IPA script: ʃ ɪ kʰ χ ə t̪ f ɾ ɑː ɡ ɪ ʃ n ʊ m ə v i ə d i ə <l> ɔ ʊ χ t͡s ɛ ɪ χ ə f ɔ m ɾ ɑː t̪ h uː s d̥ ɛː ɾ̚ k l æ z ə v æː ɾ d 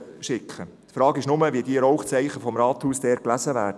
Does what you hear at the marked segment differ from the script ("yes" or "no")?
yes